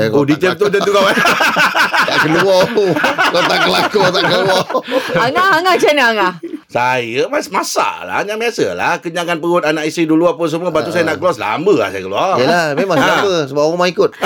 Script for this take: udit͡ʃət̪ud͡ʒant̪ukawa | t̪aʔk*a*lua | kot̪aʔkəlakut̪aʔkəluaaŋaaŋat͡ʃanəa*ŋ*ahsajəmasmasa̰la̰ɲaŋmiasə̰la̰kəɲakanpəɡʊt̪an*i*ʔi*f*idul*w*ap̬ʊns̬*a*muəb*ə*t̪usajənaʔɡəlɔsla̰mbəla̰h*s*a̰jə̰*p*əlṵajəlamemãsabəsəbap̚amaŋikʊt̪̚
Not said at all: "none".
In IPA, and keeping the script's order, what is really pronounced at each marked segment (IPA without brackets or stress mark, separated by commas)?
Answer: ə, ŋ, a, s, u, ə, a, s, k